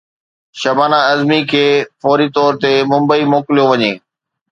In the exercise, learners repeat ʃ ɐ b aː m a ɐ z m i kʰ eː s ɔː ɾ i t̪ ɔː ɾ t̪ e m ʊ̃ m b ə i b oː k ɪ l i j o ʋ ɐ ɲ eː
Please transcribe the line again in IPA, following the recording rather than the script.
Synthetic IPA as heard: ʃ ɐ b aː n a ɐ z m i kʰ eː f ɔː ɾ i t̪ ɔː ɾ t̪ e m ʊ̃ m b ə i m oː k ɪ l i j o ʋ ɐ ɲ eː

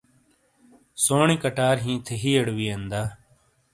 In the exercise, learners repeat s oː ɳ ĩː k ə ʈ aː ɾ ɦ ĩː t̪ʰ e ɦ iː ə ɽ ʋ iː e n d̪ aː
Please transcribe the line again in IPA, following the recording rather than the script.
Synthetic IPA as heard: s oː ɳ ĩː k ə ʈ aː ɾ ɦ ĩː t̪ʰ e ɦ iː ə ɽ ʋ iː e n d̪ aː

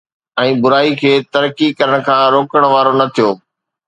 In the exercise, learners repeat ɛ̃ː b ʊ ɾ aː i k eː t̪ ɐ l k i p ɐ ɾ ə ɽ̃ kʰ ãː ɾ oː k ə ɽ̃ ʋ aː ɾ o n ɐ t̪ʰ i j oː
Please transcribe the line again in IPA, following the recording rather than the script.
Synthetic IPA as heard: ɛ̃ː b ʊ ɾ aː i kʰ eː t̪ ɐ ɾ k i k ɐ ɾ ə ɽ̃ kʰ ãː ɾ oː k ə ɽ̃ ʋ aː ɾ o n ɐ t̪ʰ i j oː

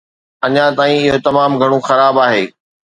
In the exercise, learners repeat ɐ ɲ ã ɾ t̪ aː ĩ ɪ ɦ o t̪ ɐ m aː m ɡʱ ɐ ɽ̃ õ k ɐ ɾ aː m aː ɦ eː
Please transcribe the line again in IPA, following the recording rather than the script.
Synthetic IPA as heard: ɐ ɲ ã t̪ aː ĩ ɪ ɦ o t̪ ɐ m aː m ɡʱ ɐ ɽ̃ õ x ɐ ɾ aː b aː ɦ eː

